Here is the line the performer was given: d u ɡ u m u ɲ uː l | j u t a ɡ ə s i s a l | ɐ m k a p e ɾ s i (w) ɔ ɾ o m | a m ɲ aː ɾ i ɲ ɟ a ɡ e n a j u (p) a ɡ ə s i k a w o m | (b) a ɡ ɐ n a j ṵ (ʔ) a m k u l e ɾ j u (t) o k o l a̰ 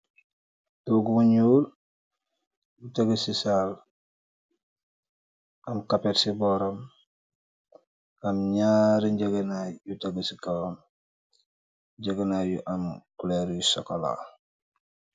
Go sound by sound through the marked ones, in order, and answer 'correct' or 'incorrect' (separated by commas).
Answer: incorrect, incorrect, incorrect, correct, incorrect